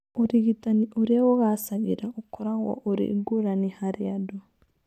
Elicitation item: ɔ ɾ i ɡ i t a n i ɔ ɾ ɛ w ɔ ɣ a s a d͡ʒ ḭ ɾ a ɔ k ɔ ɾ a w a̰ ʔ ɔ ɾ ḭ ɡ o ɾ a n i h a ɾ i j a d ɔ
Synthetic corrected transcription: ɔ ɾ i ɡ i t a n i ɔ ɾ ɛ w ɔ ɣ a s a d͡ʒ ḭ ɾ a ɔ k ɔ ɾ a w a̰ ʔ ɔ ɾ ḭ ɡ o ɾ a n i h a ɾ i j a d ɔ